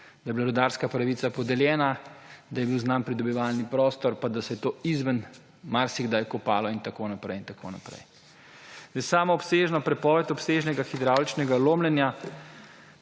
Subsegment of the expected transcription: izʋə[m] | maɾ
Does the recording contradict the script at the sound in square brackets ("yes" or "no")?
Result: yes